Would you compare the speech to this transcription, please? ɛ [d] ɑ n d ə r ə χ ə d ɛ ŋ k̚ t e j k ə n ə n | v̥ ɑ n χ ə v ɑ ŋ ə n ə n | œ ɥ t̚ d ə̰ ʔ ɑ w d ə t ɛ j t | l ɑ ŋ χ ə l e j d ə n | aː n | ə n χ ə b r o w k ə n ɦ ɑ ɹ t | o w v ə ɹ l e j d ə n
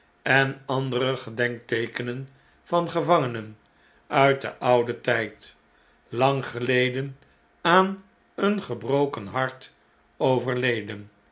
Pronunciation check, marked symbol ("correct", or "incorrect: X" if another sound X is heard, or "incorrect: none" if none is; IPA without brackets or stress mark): incorrect: n